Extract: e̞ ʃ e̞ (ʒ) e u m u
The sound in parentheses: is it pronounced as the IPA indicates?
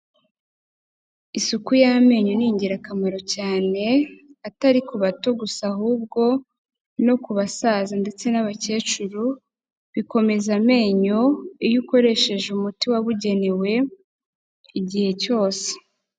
yes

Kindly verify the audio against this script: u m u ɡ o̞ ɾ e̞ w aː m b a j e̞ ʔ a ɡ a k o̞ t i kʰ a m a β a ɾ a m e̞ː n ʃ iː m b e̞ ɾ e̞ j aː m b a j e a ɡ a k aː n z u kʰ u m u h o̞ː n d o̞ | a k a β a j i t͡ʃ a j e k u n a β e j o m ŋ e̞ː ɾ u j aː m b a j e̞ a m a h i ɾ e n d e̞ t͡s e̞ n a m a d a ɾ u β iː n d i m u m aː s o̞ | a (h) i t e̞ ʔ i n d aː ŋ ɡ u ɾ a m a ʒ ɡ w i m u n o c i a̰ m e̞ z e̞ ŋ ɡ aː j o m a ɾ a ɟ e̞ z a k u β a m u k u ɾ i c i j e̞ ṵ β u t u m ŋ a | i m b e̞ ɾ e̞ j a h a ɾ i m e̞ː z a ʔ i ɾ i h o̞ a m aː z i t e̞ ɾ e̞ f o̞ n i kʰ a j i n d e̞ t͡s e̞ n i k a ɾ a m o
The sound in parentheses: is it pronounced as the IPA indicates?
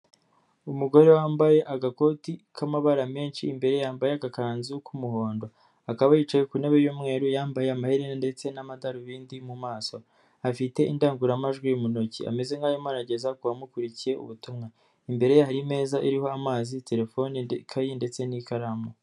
no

